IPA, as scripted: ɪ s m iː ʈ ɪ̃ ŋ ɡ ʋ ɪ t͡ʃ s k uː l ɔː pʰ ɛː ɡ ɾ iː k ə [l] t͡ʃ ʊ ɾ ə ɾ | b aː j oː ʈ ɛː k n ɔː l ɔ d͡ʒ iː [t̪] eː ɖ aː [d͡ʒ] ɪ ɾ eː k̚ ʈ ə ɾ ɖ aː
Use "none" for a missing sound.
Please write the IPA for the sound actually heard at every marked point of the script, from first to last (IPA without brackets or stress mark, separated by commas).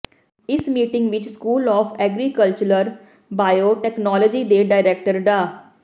l, d̪, none